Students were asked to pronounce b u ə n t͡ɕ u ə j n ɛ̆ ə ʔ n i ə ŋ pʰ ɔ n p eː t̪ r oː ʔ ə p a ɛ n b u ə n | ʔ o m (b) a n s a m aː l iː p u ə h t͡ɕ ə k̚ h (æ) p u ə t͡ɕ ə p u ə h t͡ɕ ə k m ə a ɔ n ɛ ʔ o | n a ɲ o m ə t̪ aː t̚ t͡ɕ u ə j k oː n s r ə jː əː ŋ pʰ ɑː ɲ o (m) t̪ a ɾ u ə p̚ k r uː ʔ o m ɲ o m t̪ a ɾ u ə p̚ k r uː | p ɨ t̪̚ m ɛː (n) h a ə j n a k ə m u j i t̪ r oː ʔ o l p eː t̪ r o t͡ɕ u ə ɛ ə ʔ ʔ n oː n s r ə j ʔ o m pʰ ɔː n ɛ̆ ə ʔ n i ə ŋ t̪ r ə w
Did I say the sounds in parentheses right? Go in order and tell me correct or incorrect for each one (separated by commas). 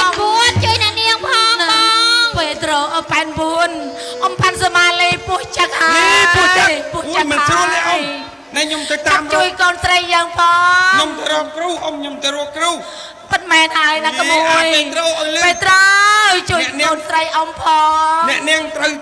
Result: incorrect, incorrect, correct, correct